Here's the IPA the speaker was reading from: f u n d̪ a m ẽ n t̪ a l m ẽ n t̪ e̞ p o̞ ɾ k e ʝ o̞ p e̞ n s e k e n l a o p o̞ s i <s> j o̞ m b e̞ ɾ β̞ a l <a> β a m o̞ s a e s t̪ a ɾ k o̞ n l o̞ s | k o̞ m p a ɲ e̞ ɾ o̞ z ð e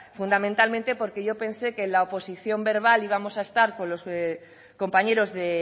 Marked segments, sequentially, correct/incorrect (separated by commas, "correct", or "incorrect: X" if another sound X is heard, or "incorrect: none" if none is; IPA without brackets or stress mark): incorrect: θ, incorrect: i